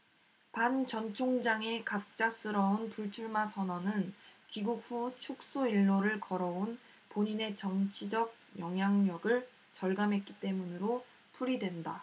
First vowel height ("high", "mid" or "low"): low